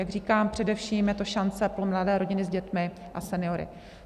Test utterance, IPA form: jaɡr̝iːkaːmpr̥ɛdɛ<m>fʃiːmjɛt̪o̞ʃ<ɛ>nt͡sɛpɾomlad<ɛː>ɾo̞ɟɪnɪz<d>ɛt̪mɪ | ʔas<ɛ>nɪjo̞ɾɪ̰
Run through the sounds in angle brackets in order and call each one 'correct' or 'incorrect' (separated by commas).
incorrect, incorrect, correct, incorrect, correct